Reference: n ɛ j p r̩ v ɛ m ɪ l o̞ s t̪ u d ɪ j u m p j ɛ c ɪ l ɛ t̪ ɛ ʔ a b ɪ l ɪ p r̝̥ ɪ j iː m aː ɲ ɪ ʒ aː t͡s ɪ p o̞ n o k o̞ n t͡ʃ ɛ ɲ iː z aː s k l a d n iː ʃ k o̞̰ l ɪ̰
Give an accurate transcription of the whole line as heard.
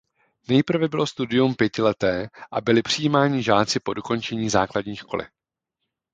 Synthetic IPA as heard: n ɛ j p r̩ v ɛ b ɪ l o̞ s t̪ u d ɪ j u m p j ɛ c ɪ l ɛ t̪ ɛː ʔ a b ɪ l ɪ p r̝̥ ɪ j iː m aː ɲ ɪ ʒ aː t͡s ɪ p o̞ d o k o̞ n t͡ʃ ɛ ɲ iː z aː k l a d ɲ iː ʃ k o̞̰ l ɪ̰